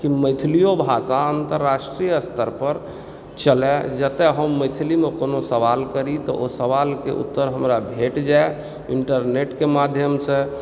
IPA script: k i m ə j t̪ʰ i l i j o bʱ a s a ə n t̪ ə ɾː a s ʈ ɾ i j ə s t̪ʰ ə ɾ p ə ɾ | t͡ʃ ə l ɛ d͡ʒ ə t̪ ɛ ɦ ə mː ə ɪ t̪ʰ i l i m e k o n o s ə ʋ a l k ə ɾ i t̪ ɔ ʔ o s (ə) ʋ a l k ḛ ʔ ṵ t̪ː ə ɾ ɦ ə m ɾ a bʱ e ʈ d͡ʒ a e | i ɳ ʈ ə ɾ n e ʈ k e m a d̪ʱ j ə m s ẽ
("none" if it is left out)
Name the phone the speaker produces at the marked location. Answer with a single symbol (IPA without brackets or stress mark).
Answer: ə